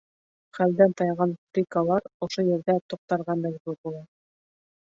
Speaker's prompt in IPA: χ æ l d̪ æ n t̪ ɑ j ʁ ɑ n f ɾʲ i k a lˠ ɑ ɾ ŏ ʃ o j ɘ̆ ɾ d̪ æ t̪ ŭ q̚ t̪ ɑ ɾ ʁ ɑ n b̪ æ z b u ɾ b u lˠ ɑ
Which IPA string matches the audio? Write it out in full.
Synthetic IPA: χ æ l d̪ æ n t̪ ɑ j ʁ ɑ n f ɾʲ i k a lˠ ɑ ɾ ŏ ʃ o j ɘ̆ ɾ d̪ æ t̪ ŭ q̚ t̪ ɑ ɾ ʁ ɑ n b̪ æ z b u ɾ b u lˠ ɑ